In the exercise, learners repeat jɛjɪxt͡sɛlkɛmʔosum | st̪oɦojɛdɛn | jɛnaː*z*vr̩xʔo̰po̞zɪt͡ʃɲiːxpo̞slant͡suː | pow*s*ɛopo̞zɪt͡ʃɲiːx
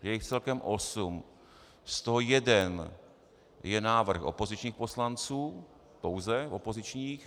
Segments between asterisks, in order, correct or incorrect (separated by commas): incorrect, incorrect